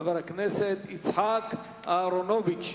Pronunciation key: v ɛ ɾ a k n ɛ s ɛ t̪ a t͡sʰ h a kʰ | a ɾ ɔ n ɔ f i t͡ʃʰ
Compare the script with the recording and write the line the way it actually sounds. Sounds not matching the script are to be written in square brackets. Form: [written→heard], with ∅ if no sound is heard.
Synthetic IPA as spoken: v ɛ ɾ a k n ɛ s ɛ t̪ [a→i] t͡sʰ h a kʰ | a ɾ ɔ n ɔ [f→v] i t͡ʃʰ

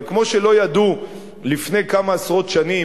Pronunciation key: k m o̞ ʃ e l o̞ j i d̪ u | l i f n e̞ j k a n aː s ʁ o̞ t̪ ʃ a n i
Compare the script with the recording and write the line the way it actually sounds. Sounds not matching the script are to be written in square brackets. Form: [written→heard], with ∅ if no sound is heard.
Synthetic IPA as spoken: k m o̞ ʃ e l o̞ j [i→a] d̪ u | l i f n e̞ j k a [n→m] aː s ʁ o̞ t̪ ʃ a n i

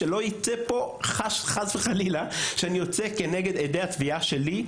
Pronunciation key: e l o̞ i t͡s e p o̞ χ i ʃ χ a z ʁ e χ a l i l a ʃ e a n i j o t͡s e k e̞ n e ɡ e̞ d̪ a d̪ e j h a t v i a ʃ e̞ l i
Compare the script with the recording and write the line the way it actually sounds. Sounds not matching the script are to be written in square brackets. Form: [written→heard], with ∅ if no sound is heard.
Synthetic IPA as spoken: e l o̞ i t͡s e p o̞ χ [i→a] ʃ χ a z [ʁ→v] e χ a l i l a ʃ e a n i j o t͡s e k e̞ n e ɡ e̞ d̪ [a→e] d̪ e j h a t v i a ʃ e̞ l i

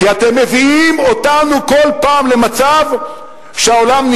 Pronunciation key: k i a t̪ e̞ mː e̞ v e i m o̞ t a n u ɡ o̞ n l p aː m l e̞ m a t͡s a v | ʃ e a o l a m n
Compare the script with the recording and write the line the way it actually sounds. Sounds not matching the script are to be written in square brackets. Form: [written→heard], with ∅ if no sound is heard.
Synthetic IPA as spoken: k i a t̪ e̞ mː e̞ v [e→i] i m o̞ t a n u [ɡ→k] o̞ [n→∅] l p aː m l e̞ m a t͡s a v | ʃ e a o l a m n

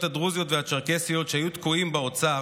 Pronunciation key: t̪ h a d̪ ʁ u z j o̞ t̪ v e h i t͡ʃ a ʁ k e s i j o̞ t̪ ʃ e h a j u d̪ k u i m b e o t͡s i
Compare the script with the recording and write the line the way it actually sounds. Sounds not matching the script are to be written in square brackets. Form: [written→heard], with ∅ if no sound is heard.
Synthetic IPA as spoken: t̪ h a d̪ ʁ u z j o̞ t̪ v e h [i→a] t͡ʃ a ʁ k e s i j o̞ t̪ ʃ e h a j u [d̪→t̪] k u i m b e o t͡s [i→a]

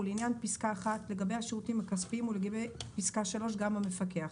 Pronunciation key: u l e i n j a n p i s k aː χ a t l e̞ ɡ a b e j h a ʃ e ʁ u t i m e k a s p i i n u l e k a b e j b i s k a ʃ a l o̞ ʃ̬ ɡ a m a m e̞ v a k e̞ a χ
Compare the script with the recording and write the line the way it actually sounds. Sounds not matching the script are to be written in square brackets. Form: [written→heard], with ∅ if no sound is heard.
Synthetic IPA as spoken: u l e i n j a n p i s k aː χ a t l e̞ ɡ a b e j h a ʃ e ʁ u t i m [e→a] k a s p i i [n→m] u l e [k→ɡ] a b e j [b→p] i s k a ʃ a l o̞ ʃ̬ ɡ a m a m e̞ [v→f] a k e̞ a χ

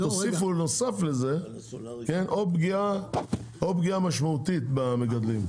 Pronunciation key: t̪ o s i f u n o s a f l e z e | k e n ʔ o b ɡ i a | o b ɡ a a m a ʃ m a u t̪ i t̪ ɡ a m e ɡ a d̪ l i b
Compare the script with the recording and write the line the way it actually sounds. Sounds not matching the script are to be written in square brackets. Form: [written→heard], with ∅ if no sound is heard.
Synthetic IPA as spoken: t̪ o s i f u n o s a f l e z e | k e n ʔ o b ɡ i a | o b ɡ [a→i] a m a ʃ m a u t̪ i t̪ [ɡ→b] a m e ɡ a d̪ l i [b→m]

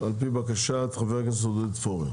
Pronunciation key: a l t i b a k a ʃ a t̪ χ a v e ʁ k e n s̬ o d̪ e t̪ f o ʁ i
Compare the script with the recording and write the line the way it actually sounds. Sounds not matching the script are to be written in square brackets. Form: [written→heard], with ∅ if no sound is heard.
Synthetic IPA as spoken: a l [t→p] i b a k a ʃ a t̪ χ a v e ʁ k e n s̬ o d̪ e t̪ f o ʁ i

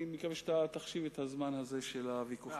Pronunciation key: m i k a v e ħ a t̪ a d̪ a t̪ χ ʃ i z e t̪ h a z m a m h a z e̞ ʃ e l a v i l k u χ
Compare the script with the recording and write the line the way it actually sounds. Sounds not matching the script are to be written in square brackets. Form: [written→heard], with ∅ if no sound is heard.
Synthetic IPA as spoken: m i k a v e [ħ→ʃ] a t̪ a [d̪→t̪] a [t̪→∅] χ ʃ i [z→v] e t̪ h a z m a [m→n] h a z e̞ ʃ e l a v i [l→∅] k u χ

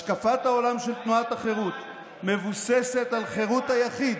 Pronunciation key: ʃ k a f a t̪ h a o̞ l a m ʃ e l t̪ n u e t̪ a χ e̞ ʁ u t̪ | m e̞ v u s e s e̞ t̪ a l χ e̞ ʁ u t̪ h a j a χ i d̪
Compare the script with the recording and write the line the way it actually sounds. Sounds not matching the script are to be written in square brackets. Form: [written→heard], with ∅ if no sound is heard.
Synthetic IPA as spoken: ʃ k a f a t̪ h a o̞ l a m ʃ e l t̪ n u [e→a] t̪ a χ e̞ ʁ u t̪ | m e̞ v u s e s e̞ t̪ a l χ e̞ ʁ u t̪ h a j a χ i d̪

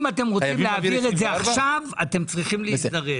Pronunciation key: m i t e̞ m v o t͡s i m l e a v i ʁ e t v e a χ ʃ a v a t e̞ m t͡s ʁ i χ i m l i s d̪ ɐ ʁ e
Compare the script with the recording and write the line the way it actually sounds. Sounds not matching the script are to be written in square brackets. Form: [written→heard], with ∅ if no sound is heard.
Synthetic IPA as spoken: m [i→a] t e̞ m [v→ʁ] o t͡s i m l e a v i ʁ e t [v→z] e a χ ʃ a v a t e̞ m t͡s ʁ i χ i m l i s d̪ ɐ ʁ e

